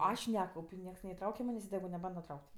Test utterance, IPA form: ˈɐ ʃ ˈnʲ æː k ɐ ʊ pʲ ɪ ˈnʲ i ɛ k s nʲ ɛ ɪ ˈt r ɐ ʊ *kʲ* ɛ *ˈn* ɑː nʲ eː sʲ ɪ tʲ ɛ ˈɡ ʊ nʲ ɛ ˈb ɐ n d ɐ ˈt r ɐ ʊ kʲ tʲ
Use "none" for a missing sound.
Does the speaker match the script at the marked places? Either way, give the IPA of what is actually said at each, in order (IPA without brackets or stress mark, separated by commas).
kʲ, m